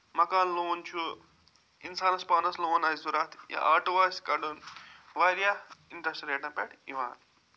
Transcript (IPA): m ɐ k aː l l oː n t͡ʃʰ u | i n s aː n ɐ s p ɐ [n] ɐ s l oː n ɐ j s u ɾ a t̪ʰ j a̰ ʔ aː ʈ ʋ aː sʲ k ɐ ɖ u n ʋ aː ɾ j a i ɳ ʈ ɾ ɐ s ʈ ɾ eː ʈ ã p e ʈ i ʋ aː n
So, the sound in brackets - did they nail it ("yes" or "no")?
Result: yes